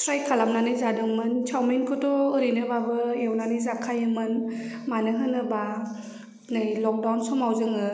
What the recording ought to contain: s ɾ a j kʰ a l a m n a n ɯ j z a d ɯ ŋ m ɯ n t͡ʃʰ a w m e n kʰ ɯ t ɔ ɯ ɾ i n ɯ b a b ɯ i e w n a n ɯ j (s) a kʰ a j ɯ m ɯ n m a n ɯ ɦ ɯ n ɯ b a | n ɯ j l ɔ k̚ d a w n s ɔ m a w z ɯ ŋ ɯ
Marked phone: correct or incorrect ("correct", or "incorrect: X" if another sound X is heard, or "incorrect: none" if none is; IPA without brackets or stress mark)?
incorrect: z